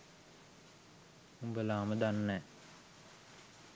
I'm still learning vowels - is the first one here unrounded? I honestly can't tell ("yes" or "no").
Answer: no